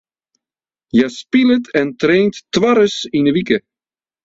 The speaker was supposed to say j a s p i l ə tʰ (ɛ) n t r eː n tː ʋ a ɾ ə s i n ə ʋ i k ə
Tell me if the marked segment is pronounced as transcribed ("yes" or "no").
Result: yes